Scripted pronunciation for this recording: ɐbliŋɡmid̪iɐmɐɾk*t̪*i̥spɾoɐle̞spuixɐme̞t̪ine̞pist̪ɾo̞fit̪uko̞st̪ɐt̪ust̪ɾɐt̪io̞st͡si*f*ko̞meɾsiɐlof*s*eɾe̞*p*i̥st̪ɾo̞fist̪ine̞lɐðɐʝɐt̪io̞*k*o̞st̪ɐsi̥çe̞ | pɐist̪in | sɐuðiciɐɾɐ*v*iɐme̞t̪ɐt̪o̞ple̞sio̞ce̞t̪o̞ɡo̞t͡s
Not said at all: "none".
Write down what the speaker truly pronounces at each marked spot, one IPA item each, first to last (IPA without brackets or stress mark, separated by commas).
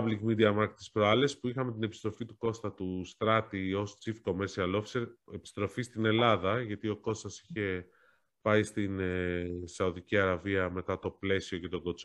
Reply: t̪, f, s, p, k, v